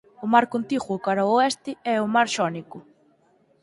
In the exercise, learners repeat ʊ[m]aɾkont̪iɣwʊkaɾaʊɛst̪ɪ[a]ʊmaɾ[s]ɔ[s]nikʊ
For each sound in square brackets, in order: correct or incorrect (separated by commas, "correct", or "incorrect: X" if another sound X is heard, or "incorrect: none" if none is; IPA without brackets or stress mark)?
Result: correct, incorrect: ɛ, incorrect: ʃ, incorrect: none